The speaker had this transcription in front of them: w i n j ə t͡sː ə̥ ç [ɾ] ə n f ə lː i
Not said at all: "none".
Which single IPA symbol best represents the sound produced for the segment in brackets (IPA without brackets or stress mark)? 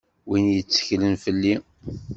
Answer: l